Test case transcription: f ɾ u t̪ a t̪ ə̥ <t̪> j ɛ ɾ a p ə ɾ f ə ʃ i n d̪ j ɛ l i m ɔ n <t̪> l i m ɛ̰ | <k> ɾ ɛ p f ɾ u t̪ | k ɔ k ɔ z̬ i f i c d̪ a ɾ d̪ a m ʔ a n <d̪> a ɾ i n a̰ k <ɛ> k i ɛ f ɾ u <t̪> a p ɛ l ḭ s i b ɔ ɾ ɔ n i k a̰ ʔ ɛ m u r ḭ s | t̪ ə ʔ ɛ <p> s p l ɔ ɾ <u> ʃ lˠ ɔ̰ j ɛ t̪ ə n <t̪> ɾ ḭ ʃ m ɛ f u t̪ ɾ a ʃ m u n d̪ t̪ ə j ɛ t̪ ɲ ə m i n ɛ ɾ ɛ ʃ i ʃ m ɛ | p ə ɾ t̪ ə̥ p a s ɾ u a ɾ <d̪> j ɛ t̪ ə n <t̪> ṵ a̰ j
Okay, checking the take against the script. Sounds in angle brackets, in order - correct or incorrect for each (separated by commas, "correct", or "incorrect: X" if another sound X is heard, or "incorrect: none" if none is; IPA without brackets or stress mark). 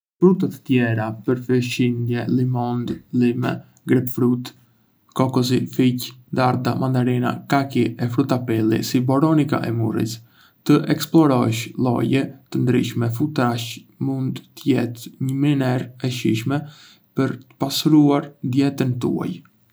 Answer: correct, incorrect: d̪, incorrect: ɡ, correct, incorrect: a, correct, incorrect: k, incorrect: ɔ, incorrect: d̪, correct, correct